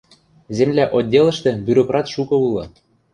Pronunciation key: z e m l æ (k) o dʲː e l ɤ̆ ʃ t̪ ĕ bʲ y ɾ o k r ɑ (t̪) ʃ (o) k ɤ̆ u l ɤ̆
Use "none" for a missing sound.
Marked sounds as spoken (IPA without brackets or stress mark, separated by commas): ʔ, t̪, u